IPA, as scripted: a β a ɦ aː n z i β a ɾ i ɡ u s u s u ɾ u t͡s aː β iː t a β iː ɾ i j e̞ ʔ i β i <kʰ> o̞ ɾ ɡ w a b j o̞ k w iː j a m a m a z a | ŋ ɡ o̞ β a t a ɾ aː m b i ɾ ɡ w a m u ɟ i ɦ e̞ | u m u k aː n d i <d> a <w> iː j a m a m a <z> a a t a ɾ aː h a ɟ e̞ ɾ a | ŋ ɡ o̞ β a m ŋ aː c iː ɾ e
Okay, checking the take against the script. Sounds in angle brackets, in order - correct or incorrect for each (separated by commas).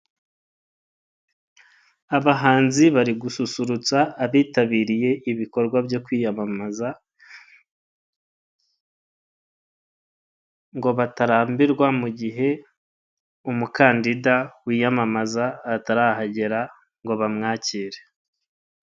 incorrect, correct, correct, correct